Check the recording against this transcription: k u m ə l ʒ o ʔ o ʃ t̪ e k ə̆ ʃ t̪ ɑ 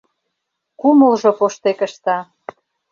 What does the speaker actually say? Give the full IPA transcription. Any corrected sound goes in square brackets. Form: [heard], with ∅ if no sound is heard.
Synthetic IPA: k u m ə l ʒ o [p] o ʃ t̪ e k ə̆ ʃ t̪ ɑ